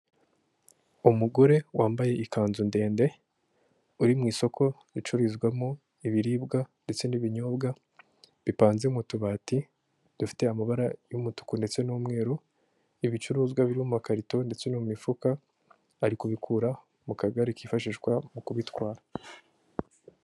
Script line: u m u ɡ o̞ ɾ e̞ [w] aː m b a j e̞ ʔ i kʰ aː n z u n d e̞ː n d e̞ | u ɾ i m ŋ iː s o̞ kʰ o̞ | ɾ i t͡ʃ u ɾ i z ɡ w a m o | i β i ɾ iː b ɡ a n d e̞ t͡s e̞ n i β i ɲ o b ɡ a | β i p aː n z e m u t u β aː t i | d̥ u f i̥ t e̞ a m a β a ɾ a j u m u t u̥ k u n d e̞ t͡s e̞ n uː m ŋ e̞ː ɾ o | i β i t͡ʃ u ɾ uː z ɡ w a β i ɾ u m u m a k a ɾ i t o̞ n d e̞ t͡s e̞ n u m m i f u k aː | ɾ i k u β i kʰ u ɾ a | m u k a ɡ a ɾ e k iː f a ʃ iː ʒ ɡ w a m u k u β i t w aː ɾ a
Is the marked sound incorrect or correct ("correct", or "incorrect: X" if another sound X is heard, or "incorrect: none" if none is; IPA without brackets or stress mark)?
correct